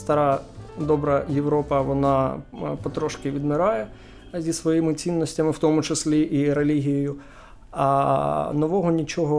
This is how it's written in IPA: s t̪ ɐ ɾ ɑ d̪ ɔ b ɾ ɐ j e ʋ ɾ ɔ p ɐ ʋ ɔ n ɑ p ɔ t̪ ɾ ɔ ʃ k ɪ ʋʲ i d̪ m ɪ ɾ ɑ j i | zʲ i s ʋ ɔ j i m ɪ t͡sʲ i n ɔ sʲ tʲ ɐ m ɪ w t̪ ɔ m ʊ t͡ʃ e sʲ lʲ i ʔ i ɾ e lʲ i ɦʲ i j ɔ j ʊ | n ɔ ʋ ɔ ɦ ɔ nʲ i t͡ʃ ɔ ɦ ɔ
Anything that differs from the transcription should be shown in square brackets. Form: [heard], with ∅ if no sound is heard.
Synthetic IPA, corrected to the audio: s t̪ ɐ ɾ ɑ d̪ ɔ b ɾ ɐ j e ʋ ɾ ɔ p ɐ ʋ ɔ n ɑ p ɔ t̪ ɾ ɔ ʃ k ɪ ʋʲ i d̪ m ɪ ɾ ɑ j [ɛ] | zʲ i s ʋ ɔ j i m ɪ t͡sʲ i [nː] ɔ sʲ tʲ ɐ m ɪ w t̪ ɔ m ʊ t͡ʃ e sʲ lʲ i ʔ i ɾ e lʲ i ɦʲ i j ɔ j ʊ | n ɔ ʋ ɔ ɦ ɔ nʲ i t͡ʃ ɔ ɦ ɔ